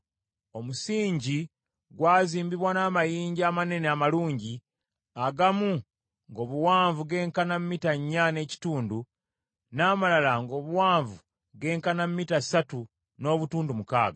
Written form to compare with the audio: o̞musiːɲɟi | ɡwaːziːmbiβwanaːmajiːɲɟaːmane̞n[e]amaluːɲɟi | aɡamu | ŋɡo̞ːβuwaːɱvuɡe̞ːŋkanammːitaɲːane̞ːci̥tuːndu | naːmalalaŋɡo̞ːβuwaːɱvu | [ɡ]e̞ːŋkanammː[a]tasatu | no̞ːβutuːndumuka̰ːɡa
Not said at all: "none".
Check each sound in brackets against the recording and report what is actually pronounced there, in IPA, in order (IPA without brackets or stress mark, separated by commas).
e, ɡ, i